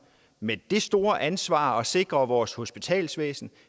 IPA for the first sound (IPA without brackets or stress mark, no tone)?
m